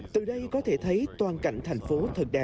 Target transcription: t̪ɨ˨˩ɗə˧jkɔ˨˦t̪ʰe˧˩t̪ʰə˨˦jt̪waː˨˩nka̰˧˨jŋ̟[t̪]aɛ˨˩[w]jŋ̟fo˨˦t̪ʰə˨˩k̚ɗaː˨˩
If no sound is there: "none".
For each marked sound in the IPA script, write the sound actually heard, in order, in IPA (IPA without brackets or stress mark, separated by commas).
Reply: t̪ʰ, none